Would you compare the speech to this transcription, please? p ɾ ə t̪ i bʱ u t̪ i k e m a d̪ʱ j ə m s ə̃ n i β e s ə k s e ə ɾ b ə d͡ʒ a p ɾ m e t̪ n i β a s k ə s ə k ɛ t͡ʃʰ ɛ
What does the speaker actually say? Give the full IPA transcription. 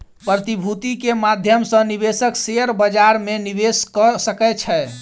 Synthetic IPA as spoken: p ɾ ə t̪ i bʱ u t̪ i k e m a d̪ʱ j ə m s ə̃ n i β e s ə k s e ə ɾ b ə d͡ʒ a ɾ m e n i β e s k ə s ə k ɛ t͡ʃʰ ɛ